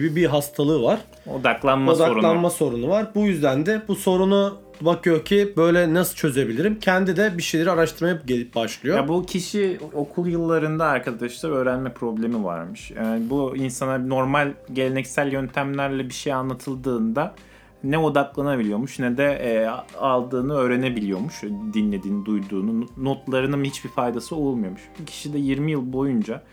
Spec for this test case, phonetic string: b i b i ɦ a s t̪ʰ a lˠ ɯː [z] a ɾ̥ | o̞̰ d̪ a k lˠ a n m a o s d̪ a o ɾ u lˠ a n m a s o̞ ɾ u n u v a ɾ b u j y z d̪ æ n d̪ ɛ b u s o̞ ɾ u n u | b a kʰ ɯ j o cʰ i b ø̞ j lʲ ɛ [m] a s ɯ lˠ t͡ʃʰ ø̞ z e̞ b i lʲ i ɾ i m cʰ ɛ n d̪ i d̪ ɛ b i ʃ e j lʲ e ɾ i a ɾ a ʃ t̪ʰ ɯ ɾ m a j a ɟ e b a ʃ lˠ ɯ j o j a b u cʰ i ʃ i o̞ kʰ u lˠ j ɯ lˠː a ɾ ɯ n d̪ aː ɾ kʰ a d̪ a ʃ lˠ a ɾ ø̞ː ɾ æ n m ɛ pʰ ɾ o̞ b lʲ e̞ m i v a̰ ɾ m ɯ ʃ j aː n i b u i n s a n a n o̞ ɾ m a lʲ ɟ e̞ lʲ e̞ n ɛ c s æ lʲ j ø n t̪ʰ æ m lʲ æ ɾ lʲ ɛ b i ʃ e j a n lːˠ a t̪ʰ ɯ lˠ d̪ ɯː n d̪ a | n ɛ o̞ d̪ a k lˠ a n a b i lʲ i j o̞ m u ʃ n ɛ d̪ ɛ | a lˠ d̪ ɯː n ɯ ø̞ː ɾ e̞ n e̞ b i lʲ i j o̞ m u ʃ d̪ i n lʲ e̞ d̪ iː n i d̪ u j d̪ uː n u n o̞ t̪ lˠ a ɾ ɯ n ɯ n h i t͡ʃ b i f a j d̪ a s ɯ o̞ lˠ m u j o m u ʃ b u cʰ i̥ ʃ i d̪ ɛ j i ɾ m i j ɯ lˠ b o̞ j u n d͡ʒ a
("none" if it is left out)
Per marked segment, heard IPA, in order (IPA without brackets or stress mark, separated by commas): v, n